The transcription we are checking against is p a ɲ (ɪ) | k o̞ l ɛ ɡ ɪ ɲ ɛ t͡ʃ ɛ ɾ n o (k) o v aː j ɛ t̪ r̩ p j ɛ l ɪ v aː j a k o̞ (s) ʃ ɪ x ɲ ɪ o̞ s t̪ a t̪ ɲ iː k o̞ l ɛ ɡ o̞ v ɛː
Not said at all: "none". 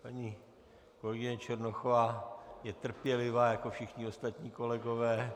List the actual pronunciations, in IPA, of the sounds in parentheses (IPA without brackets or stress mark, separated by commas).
i, x, f